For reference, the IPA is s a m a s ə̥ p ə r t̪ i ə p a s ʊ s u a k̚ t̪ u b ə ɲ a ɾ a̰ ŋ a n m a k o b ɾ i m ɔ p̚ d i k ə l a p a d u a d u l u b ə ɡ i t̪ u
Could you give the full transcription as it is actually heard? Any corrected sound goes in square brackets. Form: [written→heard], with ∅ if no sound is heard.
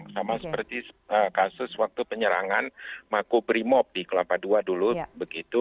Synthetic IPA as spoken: s a m a s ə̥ p ə r t̪ i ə [p→k] a s ʊ s [u→w] a k̚ t̪ u [b→p] ə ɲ [a→ə] ɾ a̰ ŋ a n m a k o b ɾ i m ɔ p̚ d i k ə l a p a d u a d u l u b ə ɡ i t̪ u

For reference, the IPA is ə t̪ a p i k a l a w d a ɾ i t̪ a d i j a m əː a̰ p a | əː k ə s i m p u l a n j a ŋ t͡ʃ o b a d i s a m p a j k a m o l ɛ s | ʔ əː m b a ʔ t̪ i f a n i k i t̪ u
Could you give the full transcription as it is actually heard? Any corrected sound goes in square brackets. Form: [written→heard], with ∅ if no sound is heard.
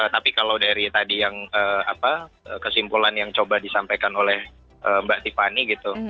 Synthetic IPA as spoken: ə t̪ a p i k a l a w d a ɾ i t̪ a d i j a [m→ŋ] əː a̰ p a | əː k ə s i m p u l a n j a ŋ t͡ʃ o b a d i s a m p a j k a [m→n] o l ɛ [s→h] | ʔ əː m b a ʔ t̪ i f a n i [k→ɡ] i t̪ u

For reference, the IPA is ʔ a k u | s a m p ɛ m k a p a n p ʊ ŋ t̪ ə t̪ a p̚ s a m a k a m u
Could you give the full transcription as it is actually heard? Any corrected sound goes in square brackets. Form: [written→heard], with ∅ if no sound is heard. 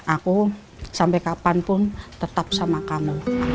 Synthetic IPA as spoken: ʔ a k u | s a m p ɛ [m→∅] k a p a n p ʊ [ŋ→n] t̪ ə t̪ a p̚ s a m a k a m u

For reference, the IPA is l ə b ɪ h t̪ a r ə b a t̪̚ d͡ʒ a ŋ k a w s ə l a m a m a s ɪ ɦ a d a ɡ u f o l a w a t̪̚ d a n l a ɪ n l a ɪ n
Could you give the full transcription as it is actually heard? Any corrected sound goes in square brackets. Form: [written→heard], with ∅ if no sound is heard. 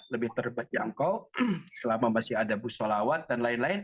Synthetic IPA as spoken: l ə b ɪ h t̪ [a→ə] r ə b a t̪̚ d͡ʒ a ŋ k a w s ə l a m a m a s ɪ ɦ a d a [ɡ→b] u [f→s] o l a w a t̪̚ d a n l a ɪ n l a ɪ n

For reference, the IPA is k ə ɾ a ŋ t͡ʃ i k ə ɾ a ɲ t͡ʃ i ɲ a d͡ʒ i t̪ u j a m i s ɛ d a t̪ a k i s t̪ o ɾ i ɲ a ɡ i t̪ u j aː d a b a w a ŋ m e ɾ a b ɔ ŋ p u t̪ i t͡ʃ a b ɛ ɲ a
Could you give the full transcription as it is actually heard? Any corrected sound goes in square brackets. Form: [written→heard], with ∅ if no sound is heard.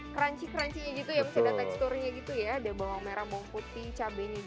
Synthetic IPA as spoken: k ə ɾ a [ŋ→ɲ] t͡ʃ i k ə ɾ a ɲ t͡ʃ i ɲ a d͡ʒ i t̪ u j a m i s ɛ d a t̪ a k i s t̪ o ɾ i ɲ a ɡ i t̪ u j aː d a b a w a ŋ m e ɾ a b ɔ ŋ p u t̪ i t͡ʃ a b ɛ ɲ a

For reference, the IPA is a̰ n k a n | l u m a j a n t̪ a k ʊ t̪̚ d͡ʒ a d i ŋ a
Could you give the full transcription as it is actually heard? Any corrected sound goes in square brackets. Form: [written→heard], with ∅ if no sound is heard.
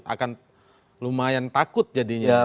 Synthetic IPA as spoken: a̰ [n→∅] k a n | l u m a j a n t̪ a k ʊ t̪̚ d͡ʒ a d i [ŋ→ɲ] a

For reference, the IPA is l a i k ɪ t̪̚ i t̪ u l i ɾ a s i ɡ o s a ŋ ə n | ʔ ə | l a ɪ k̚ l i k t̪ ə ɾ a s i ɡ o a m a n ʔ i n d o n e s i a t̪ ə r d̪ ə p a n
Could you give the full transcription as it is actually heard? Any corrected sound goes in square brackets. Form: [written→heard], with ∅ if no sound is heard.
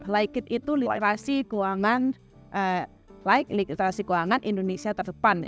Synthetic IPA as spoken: l a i k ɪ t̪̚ i t̪ u l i ɾ a s i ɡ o [s→∅] a ŋ [ə→a] n | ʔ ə | l a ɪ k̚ l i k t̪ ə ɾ a s i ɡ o a [m→ŋ] a n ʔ i n d o n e s i a t̪ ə r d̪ ə p a n

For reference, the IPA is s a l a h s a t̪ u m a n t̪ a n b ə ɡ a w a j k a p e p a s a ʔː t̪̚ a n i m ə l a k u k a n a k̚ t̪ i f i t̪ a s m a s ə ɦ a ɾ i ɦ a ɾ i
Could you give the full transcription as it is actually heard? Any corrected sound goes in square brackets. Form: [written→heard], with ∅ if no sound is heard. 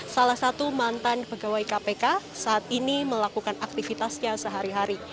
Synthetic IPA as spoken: s a l a h s a t̪ u m a n t̪ a n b ə ɡ a w a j k a p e [p→k] a s a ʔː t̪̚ [a→i] n i m ə l a k u k a n a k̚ t̪ i f i t̪ a s [m→ɲ] a s ə ɦ a ɾ i ɦ a ɾ i

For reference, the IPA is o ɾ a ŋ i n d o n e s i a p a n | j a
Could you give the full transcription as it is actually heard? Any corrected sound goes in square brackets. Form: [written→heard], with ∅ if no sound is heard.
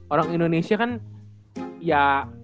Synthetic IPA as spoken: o ɾ a ŋ i n d o n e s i a [p→k] a n | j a

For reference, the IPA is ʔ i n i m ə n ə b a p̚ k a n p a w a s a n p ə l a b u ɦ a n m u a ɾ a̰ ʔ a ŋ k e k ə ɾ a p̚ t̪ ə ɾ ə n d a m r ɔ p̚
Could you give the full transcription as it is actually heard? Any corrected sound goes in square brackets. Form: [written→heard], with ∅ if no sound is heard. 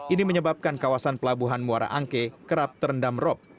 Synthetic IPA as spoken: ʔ i n i m ə [n→ɲ] ə b a p̚ k a n [p→k] a w a s a n p ə l a b u ɦ a n m u a ɾ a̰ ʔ a ŋ k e k ə ɾ a p̚ t̪ ə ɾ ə n d a m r ɔ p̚

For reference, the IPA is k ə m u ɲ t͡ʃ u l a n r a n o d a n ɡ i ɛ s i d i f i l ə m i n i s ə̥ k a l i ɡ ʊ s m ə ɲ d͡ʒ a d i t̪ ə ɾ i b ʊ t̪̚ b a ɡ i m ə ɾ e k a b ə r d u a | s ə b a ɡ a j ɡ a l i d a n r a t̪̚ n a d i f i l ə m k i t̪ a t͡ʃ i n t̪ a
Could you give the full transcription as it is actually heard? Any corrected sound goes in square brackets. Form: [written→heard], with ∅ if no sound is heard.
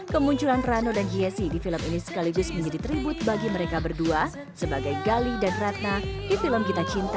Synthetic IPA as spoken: k ə m u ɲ t͡ʃ u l a n r a n o d a n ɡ i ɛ s i d i f i l ə m i n i s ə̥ k a l i ɡ ʊ s m ə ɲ d͡ʒ a d i t̪ ə ɾ i b ʊ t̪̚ b a ɡ i m ə ɾ e k a b ə r d u a | s ə b a ɡ a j ɡ a l i d a n r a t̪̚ n a d i f i l ə m k i t̪ a t͡ʃ i n t̪ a

